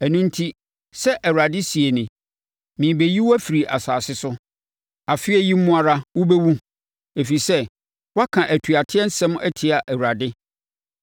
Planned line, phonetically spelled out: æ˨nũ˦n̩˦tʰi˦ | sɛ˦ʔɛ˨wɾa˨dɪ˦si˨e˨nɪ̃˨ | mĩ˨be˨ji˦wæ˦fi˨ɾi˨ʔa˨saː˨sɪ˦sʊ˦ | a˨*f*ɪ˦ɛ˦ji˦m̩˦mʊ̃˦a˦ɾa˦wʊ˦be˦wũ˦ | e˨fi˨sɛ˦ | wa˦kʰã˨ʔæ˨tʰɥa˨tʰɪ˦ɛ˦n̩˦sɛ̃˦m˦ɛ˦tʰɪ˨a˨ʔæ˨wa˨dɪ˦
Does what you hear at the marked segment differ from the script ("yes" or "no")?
no